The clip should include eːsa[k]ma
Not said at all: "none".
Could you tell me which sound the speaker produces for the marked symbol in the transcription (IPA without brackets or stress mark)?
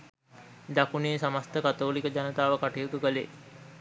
none